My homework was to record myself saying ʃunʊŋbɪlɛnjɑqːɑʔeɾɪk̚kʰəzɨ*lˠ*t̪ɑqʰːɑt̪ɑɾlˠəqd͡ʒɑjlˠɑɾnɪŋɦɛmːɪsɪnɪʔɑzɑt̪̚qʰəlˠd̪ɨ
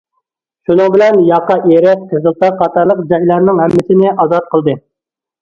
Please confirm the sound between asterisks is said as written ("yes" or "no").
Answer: yes